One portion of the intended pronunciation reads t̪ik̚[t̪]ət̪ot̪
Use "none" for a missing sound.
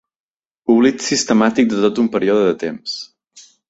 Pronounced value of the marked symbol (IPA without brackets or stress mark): d̪